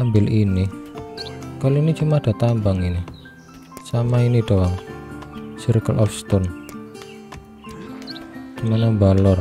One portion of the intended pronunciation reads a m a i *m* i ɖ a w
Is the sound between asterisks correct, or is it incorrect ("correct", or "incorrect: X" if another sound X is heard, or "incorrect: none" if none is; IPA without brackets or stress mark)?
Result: incorrect: n